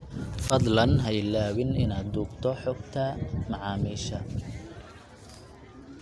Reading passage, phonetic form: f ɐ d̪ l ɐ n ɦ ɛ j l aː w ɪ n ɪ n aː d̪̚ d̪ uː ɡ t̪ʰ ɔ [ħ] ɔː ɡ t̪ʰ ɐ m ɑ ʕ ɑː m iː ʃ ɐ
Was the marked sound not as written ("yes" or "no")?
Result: no